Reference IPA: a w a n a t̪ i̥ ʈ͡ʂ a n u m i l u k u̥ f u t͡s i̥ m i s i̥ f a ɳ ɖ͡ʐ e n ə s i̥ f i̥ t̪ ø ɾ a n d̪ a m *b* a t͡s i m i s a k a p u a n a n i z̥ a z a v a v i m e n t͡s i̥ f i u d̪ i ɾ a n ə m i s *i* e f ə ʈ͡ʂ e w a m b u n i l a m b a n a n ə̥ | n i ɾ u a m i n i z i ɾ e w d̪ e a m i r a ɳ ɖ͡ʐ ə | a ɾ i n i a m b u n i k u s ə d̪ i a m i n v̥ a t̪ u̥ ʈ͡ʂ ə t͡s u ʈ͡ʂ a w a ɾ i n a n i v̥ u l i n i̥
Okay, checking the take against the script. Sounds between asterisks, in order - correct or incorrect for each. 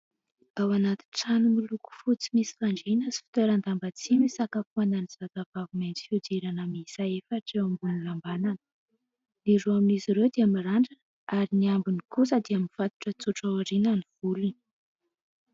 correct, incorrect: a

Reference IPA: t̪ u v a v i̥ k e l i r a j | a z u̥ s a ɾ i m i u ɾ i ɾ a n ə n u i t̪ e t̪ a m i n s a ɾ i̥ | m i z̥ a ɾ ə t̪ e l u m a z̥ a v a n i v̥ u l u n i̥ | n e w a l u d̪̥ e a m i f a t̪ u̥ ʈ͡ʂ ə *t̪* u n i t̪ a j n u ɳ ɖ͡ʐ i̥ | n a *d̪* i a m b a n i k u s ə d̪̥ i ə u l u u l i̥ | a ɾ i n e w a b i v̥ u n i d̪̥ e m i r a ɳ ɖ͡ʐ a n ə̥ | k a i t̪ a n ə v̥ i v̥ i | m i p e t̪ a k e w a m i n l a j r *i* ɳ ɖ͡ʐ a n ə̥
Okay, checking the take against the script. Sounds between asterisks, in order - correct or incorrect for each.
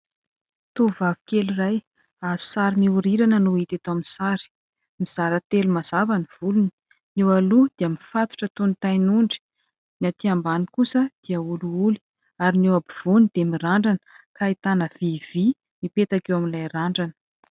correct, incorrect: t̪, incorrect: a

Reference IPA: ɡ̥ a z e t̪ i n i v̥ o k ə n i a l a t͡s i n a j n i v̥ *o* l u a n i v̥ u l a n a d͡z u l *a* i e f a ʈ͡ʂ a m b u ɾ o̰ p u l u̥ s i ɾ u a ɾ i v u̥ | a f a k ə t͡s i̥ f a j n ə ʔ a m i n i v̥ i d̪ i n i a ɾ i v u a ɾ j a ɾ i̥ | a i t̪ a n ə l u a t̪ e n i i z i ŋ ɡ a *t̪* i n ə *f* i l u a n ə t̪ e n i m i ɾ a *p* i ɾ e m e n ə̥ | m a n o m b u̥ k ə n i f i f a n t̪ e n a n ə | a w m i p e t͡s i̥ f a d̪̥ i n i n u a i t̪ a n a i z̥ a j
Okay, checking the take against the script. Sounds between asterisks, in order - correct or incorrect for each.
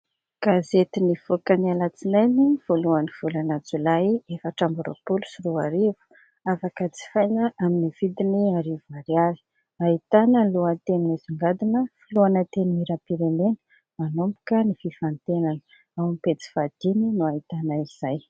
correct, correct, incorrect: d̪, correct, correct

